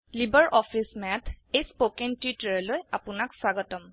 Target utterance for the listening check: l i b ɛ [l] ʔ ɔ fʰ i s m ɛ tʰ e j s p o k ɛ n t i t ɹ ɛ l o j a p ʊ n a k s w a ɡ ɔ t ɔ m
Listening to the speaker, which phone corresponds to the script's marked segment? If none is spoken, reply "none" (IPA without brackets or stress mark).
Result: ɹ